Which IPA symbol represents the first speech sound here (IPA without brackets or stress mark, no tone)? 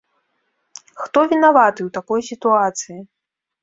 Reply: x